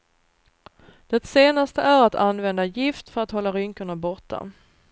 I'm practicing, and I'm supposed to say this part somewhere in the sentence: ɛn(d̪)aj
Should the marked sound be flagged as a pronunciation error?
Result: no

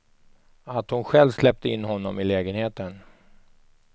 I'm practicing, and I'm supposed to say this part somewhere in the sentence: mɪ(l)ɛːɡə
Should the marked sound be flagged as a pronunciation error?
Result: no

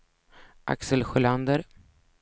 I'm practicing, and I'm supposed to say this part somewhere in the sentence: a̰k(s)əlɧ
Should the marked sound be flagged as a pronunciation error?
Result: no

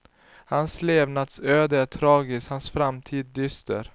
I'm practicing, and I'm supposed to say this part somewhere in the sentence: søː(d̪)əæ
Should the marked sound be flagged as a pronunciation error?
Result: no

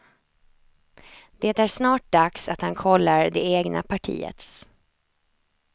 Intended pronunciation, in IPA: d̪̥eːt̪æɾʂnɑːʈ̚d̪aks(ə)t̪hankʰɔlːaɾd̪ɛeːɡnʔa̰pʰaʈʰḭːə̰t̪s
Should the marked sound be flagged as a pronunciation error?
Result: yes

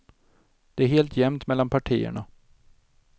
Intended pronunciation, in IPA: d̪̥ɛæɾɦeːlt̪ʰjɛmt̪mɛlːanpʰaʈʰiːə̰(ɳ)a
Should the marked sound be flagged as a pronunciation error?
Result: no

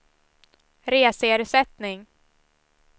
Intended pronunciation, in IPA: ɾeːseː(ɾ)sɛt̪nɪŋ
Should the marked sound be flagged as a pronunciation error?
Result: no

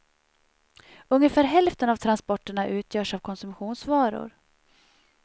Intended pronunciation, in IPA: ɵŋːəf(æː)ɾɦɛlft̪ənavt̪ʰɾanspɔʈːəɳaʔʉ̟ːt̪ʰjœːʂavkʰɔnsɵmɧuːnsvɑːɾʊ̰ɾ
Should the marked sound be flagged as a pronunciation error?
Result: no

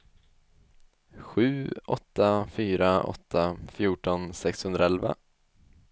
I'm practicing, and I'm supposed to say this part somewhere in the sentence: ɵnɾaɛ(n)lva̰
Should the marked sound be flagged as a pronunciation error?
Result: yes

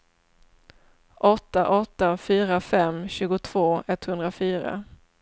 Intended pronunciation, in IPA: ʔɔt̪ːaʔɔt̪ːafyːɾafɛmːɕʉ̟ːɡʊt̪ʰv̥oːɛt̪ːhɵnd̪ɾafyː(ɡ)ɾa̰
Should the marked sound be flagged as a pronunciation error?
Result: yes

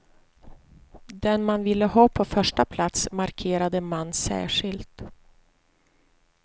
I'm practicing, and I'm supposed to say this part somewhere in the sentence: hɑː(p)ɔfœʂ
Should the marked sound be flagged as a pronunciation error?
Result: yes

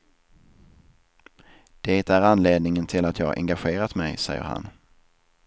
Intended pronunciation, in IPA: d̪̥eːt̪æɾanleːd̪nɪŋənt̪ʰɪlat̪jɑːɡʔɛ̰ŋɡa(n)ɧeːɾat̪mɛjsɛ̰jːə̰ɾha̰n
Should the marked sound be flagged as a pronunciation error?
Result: yes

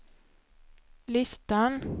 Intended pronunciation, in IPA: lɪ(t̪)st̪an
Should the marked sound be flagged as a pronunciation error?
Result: yes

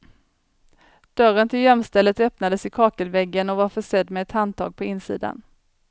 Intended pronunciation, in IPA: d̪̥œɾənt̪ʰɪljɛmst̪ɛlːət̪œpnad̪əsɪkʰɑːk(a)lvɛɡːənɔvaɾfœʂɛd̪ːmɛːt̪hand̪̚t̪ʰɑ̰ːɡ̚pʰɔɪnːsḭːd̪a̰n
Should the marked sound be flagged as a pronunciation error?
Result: yes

